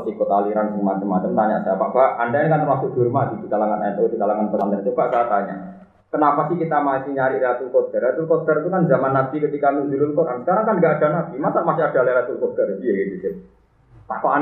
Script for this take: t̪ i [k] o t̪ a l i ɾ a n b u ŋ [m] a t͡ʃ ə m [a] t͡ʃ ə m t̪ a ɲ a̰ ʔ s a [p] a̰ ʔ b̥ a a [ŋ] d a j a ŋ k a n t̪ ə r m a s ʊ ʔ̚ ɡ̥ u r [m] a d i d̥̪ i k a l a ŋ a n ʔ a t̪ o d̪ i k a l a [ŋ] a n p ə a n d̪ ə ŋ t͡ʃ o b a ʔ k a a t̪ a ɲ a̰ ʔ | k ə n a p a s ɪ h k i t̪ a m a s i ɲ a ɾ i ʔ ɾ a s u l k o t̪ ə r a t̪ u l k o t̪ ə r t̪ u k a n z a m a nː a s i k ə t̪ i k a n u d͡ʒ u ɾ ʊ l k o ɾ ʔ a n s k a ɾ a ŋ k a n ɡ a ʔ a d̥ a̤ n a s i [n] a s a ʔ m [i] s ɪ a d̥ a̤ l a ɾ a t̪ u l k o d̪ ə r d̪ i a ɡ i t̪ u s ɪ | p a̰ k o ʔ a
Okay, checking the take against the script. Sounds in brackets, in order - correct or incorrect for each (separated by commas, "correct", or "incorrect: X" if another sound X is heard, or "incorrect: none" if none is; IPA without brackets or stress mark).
correct, correct, correct, correct, incorrect: n, correct, correct, incorrect: m, incorrect: a